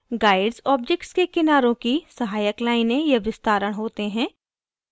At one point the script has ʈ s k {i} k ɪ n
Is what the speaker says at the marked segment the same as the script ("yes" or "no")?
no